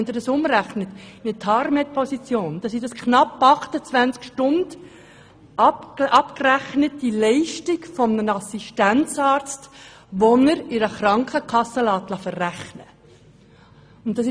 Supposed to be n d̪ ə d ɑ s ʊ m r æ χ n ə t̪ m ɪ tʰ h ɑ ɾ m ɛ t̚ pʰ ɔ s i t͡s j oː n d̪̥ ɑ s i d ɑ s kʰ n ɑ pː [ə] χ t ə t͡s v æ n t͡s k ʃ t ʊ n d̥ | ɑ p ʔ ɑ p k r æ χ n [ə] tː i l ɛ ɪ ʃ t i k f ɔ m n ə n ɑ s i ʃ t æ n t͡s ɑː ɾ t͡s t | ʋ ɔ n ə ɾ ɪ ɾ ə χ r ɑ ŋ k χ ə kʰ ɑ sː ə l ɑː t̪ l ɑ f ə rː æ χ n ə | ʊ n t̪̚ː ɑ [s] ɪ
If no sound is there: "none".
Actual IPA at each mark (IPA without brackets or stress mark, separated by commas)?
ɑ, ə, s